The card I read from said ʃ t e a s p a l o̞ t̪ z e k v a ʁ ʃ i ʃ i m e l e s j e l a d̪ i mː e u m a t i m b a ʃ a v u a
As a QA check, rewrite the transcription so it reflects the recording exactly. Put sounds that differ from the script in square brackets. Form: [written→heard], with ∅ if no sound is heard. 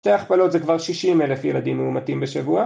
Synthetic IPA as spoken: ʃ t e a [s→χ] p a l o̞ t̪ z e k v a ʁ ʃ i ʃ i m e l e [s→f] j e l a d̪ i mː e u m a t i m b [a→e] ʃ a v u a